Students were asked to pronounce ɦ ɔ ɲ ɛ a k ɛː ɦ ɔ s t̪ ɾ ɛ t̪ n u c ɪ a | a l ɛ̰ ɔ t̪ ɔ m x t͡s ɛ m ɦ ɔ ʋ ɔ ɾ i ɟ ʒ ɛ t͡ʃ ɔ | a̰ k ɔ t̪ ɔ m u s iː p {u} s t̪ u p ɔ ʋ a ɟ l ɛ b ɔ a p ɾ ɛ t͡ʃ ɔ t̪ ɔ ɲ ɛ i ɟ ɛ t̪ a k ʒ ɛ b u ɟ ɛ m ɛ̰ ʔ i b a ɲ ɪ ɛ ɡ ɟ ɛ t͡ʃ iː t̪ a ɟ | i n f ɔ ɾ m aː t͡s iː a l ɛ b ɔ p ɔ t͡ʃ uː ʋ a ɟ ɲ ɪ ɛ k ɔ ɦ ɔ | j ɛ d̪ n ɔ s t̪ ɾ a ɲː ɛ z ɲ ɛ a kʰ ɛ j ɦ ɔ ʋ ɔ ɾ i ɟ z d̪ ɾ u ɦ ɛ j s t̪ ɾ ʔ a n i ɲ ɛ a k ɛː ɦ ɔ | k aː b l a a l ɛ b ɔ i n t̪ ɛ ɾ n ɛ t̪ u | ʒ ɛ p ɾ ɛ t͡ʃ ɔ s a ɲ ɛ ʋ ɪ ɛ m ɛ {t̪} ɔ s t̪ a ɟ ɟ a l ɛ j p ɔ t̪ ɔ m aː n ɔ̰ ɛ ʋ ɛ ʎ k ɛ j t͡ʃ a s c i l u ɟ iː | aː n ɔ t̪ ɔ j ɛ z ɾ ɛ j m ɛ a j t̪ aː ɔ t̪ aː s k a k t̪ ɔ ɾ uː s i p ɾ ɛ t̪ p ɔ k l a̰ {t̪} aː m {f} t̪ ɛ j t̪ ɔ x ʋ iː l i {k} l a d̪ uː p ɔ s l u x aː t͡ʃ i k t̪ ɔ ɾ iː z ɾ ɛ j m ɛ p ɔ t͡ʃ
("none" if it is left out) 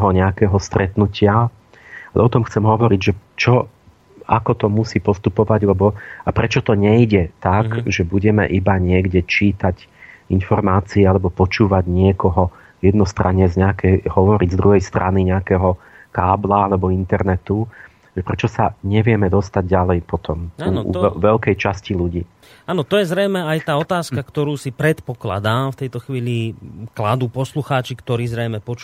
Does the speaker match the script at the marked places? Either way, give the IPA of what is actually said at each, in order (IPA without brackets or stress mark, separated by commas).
ɔ, d̪, d̪, f, k